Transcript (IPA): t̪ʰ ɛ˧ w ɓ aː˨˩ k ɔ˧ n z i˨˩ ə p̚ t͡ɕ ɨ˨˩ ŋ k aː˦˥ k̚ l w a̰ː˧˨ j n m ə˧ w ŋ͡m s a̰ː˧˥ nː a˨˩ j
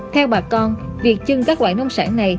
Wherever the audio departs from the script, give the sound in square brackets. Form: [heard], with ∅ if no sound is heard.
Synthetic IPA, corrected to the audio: t̪ʰ ɛ˧ w ɓ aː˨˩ k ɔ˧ n [v] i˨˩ ə [k̚] t͡ɕ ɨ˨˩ ŋ k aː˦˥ k̚ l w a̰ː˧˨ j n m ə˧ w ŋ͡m s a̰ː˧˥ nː a˨˩ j

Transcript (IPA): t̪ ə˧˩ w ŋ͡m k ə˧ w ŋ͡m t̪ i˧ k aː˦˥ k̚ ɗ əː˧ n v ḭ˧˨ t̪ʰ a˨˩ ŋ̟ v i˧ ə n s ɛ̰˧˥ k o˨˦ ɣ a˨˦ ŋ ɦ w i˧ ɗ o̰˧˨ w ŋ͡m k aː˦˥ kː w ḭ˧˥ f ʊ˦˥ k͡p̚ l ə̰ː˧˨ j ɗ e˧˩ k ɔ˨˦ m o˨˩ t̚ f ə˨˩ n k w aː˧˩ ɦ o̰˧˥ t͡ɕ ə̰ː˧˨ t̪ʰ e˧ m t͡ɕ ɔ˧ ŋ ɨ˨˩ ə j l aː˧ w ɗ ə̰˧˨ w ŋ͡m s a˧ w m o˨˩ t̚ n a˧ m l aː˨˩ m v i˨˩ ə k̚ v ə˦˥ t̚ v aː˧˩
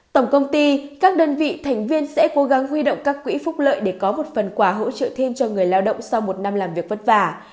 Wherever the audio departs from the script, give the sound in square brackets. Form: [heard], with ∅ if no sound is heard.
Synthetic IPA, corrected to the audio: t̪ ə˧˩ w ŋ͡m k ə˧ w ŋ͡m t̪ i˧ k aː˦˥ k̚ ɗ əː˧ n v ḭ˧˨ t̪ʰ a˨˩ ŋ̟ v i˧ ə n s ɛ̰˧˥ k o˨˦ ɣ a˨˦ ŋ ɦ w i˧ ɗ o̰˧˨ w ŋ͡m k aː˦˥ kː w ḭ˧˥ f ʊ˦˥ k͡p̚ l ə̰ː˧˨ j ɗ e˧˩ k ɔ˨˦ m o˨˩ t̚ f ə˨˩ n k w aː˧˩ ɦ o̰˧˥ t͡ɕ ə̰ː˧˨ t̪ʰ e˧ m t͡ɕ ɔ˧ ŋ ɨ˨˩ ə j l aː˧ w ɗ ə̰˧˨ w ŋ͡m s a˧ w m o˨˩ t̚ n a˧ m l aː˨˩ m v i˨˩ ə k̚ v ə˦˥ t̚ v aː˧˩

